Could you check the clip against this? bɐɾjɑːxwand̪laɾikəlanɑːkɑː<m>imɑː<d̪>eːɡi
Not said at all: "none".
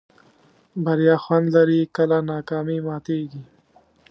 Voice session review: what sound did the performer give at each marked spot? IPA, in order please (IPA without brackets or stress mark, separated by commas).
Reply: m, t̪